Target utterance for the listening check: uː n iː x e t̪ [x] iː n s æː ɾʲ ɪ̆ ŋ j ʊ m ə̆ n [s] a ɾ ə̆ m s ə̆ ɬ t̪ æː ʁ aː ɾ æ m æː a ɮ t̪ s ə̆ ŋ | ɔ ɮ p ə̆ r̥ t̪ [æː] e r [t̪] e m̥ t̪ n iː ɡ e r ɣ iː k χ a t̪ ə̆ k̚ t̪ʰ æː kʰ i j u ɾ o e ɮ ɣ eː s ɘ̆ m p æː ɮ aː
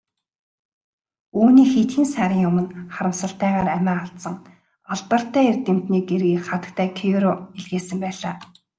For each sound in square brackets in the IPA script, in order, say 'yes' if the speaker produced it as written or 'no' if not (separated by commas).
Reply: yes, no, yes, yes